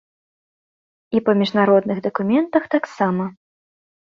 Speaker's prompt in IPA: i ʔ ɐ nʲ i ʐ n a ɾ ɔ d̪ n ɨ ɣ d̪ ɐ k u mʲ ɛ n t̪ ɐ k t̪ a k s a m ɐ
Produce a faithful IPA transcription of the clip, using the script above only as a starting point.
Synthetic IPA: i p ɐ mʲ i ʐ n a ɾ ɔ d̪ n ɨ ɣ d̪ ɐ k u mʲ ɛ n t̪ ɐ x t̪ a k s a m ɐ